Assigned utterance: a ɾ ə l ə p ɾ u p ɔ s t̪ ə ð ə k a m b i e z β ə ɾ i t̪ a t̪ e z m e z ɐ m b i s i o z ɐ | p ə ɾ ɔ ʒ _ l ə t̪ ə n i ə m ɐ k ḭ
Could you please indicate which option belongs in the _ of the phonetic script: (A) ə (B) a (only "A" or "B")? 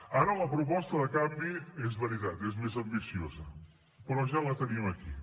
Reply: B